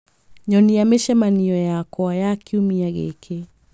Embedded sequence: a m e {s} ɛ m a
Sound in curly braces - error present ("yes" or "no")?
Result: yes